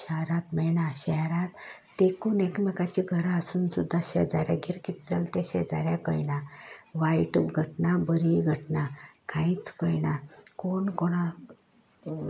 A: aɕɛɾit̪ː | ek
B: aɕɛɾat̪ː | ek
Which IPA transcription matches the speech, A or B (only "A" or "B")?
B